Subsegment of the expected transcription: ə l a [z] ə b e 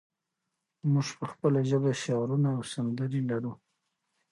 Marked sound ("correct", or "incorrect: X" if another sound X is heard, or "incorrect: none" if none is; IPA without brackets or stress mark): incorrect: ʒ